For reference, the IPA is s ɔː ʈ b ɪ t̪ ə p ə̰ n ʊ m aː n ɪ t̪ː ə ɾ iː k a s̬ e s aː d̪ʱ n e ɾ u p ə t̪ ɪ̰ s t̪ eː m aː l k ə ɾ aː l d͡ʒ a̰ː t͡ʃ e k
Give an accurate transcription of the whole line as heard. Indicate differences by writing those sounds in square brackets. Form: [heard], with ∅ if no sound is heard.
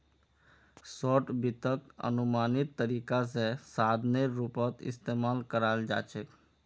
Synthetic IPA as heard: s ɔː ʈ b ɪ t̪ ə [k] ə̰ n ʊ m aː n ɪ t̪ː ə ɾ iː k a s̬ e s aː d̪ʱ n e ɾ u p ə t̪ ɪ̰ s t̪ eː m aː l k ə ɾ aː l d͡ʒ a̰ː t͡ʃ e k